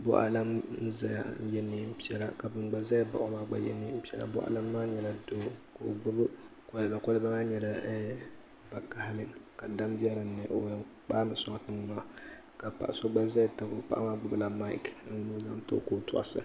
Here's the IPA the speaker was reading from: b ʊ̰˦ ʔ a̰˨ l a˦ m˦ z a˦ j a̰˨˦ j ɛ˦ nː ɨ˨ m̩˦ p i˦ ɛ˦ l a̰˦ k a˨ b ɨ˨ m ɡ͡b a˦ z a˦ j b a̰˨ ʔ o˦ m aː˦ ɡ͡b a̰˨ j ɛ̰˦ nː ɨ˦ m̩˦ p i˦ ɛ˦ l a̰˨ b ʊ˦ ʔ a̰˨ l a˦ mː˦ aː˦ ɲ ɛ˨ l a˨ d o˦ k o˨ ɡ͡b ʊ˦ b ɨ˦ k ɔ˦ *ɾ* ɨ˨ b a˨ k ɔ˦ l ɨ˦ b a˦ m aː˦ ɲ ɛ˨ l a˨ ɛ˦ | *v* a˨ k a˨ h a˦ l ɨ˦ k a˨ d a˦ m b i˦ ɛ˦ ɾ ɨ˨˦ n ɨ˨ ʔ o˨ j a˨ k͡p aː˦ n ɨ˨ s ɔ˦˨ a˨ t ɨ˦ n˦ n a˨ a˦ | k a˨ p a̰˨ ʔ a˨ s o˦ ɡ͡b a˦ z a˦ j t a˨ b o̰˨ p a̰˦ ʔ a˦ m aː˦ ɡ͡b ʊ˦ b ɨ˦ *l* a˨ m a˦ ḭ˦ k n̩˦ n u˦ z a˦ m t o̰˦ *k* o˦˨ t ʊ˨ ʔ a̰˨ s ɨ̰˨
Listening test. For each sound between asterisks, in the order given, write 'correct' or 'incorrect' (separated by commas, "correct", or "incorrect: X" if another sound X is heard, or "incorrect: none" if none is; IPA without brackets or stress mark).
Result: incorrect: l, correct, correct, correct